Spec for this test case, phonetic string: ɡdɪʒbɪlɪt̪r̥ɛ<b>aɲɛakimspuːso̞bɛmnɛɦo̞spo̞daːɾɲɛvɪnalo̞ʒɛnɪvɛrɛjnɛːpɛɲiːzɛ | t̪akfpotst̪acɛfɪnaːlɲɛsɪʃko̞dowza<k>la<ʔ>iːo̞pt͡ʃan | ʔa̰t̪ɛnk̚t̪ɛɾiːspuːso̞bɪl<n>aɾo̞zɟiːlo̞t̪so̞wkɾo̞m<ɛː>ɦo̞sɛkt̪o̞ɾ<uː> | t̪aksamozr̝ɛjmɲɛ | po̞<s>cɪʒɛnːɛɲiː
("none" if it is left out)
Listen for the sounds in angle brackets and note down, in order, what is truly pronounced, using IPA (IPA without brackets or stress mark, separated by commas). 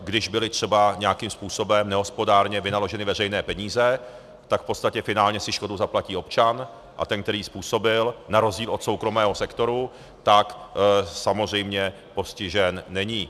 b, p, c, n, ɛː, u, s